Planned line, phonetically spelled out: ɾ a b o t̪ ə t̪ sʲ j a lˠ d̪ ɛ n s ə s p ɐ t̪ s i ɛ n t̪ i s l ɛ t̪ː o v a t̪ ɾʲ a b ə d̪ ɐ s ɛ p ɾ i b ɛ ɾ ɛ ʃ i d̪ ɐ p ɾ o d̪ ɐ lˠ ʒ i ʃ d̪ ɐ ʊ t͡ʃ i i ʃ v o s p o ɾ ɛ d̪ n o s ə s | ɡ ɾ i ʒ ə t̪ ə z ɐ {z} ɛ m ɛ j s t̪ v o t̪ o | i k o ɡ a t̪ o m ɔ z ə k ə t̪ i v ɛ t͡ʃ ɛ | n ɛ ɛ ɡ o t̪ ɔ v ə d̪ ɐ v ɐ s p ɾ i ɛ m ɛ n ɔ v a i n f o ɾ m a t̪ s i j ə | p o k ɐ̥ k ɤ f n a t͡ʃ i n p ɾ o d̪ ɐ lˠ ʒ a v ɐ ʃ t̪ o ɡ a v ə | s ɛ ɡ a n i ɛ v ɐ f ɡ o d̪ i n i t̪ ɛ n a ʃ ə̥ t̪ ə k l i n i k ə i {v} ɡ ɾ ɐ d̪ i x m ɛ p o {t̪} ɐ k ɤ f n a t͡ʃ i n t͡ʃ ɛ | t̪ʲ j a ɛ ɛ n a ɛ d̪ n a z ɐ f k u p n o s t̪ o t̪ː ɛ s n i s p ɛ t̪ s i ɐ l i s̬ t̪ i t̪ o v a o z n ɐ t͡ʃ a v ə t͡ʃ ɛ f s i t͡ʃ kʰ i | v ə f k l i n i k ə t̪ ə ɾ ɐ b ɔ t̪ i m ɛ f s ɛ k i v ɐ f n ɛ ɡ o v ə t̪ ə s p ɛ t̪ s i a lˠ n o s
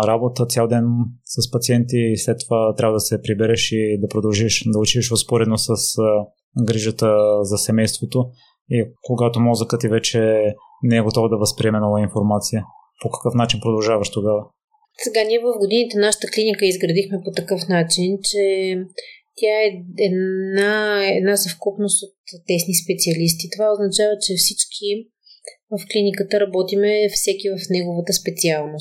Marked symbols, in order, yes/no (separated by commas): no, no, yes